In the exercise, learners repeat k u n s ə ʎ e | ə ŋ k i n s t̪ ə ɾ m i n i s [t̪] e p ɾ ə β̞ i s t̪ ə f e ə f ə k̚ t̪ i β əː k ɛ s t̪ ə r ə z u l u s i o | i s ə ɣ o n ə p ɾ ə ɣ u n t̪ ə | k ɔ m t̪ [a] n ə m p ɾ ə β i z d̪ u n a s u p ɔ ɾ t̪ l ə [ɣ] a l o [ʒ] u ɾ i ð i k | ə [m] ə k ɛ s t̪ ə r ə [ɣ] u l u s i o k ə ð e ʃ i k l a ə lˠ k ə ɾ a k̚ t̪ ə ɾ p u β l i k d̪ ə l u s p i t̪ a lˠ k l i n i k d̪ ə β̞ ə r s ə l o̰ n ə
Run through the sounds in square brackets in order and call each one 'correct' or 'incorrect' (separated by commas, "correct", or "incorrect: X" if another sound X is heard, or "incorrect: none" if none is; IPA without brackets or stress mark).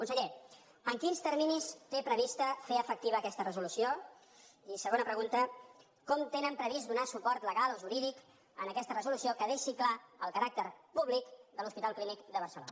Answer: correct, incorrect: e, correct, correct, incorrect: n, incorrect: z